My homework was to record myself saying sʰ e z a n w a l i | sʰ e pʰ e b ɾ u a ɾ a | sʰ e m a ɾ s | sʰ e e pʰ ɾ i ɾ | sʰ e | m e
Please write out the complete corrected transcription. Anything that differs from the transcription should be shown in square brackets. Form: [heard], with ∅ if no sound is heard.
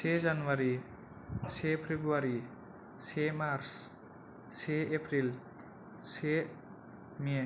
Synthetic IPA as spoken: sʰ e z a n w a [ɾ] i | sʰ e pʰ e b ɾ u a ɾ [i] | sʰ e m a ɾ s | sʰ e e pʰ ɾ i [l] | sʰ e | m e